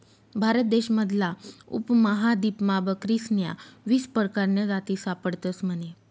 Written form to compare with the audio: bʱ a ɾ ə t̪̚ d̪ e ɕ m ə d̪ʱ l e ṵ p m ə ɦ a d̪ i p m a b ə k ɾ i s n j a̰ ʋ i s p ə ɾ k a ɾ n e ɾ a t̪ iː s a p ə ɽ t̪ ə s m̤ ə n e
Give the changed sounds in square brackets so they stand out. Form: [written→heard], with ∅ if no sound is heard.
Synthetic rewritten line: bʱ a ɾ ə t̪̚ d̪ e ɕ m ə d̪ʱ l [e→a] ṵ p m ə ɦ a d̪ i p m a b ə k ɾ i s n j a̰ ʋ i s p ə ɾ k a ɾ n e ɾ a t̪ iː s a p ə ɽ t̪ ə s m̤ ə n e